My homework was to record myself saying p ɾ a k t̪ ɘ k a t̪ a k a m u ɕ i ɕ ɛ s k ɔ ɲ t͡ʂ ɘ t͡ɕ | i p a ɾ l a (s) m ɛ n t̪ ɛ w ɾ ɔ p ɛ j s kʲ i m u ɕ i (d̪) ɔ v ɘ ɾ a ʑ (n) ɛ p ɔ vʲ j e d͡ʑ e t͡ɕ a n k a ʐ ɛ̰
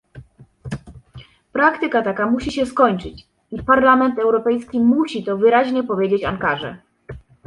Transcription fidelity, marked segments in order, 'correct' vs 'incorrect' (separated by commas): incorrect, incorrect, incorrect